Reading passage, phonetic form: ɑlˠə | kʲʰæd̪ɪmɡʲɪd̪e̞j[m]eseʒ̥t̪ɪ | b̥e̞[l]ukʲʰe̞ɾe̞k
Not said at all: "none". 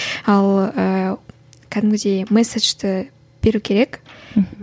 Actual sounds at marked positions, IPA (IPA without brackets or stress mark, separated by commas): m, ɾ